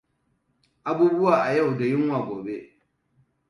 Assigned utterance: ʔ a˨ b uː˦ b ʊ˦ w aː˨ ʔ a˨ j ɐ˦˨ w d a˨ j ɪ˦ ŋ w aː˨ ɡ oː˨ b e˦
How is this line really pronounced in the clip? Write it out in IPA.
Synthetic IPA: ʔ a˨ b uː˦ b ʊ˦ w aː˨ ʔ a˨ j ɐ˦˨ w d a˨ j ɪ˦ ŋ w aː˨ ɡ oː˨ b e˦